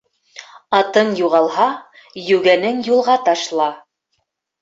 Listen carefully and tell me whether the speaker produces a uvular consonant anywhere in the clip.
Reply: yes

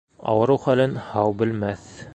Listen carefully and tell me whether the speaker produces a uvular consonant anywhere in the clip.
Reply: yes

